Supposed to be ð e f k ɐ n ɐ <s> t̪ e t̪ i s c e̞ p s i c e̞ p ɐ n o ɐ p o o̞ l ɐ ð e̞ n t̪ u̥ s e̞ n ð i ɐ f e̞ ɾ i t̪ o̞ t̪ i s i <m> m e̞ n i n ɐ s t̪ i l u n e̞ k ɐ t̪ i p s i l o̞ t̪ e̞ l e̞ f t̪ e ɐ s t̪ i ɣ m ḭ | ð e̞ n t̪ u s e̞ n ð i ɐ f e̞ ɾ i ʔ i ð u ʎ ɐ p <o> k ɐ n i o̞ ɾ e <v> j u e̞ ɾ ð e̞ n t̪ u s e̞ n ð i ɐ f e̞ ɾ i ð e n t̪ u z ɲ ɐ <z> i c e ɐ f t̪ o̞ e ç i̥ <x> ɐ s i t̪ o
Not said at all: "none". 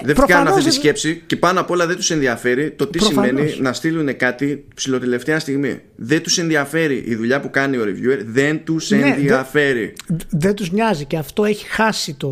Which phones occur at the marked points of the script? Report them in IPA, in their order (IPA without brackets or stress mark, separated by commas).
f, m, u, v, z, x